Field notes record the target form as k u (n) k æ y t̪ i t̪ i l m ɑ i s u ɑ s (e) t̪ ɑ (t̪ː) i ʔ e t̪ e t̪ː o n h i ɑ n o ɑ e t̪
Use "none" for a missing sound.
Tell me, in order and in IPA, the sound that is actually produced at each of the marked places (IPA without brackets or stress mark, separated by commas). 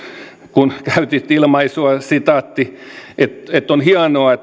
n, i, t̪ː